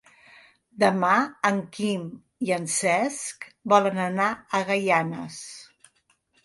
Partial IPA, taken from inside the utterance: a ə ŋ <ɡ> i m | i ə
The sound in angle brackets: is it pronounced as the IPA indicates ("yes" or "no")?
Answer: no